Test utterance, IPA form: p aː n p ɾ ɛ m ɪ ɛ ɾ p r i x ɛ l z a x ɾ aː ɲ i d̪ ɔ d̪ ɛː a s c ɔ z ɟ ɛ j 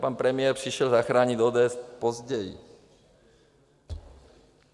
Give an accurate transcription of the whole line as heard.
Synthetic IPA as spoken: p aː n p ɾ ɛ m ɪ ɛ ɾ p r i ʃ ɛ l z a x ɾ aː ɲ i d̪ ɔː d̪ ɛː ɛ s p ɔ z ɟ ɛ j

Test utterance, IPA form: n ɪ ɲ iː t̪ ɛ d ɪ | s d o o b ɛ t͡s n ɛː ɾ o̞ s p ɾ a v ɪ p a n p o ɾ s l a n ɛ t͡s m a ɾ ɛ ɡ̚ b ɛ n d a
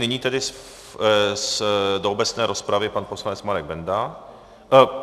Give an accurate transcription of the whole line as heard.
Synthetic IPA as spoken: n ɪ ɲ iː t̪ ɛ d ɪ | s d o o b ɛ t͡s n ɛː ɾ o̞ s p ɾ a v ɪ p a n p o s l a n ɛ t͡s m a ɾ ɛ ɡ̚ b ɛ n d a

